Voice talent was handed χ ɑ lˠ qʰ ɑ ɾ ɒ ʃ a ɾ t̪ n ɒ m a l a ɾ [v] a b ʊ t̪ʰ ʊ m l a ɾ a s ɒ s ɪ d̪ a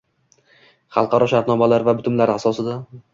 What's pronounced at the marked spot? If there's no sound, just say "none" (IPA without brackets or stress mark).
v